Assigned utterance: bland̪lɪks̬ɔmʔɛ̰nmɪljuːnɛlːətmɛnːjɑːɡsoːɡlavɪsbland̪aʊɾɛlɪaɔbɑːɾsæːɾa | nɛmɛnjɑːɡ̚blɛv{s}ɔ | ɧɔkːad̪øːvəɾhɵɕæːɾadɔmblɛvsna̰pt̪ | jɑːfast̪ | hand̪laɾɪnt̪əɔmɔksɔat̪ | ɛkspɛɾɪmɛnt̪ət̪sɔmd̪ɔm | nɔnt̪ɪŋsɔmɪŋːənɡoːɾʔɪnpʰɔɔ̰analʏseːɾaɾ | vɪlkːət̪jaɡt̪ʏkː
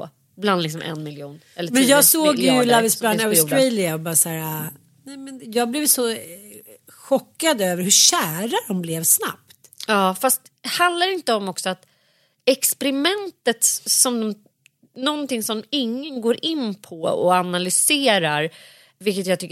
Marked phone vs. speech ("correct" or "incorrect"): correct